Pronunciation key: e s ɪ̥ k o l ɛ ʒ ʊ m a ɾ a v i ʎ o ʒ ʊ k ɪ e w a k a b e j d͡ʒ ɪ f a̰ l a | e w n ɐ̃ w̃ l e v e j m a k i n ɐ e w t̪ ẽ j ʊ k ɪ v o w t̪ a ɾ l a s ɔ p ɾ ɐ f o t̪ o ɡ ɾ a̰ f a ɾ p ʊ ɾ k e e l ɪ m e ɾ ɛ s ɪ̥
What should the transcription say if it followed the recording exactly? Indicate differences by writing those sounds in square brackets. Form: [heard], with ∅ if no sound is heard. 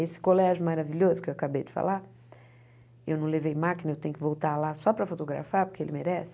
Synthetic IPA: e s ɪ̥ k o l ɛ ʒ ʊ m a ɾ a v i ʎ o [z] ʊ k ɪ e w a k a b e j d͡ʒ ɪ f a̰ l a | e w n ɐ̃ w̃ l e v e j m a k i n ɐ e w t̪ ẽ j ʊ k ɪ v o w t̪ a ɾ l a s ɔ p ɾ ɐ f o t̪ o ɡ ɾ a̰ f a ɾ p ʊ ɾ k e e l ɪ m e ɾ ɛ s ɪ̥